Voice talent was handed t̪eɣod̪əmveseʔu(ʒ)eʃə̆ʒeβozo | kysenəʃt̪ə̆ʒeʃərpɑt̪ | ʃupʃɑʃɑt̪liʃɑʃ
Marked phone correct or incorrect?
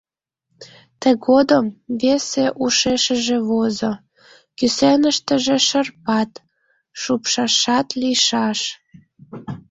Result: incorrect